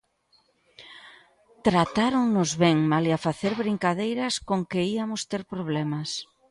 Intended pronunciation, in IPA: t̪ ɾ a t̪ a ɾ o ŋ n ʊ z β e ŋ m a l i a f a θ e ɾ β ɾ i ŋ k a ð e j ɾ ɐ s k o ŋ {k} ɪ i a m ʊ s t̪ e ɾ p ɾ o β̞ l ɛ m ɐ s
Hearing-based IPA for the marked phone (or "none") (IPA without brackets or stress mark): k